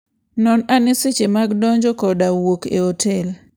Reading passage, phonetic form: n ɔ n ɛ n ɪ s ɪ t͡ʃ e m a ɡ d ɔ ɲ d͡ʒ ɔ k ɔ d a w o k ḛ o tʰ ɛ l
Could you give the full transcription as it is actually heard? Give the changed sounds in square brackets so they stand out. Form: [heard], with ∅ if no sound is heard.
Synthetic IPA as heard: n ɔ n [a] n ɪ s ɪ t͡ʃ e m a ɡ d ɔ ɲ d͡ʒ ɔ k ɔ d a w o k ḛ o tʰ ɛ l